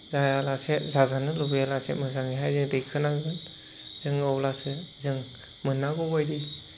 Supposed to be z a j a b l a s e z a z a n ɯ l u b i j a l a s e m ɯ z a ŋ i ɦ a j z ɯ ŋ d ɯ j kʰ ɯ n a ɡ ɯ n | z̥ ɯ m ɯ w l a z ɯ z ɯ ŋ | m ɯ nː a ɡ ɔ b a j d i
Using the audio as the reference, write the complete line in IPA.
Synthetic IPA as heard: z a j a l a s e z a z a n ɯ l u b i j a l a s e m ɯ z a ŋ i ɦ a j z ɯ ŋ d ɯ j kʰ ɯ n a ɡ ɯ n | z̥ ɯ ŋ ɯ w l a s ɯ z ɯ ŋ | m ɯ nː a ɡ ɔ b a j d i